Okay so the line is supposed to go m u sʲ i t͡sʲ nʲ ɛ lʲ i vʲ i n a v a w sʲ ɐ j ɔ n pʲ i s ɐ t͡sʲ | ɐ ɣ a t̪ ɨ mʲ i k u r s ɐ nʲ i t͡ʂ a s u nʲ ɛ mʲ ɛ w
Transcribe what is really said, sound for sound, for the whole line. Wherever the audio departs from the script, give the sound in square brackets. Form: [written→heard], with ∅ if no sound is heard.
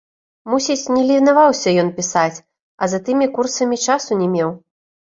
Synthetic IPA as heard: m u sʲ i t͡sʲ nʲ ɛ lʲ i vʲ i n a v a w sʲ ɐ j ɔ n pʲ i s [ɐ→a] t͡sʲ | ɐ [ɣ→z] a t̪ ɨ mʲ i k u r s ɐ [nʲ→mʲ] i t͡ʂ a s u nʲ ɛ mʲ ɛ w